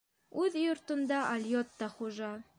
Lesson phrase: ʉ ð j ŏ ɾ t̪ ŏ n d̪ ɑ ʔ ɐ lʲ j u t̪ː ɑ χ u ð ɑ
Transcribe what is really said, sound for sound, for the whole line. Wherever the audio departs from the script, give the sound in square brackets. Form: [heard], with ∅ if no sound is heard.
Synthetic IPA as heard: ʉ ð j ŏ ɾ t̪ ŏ n d̪ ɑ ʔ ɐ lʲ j [o] t̪ː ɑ χ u [ʒ] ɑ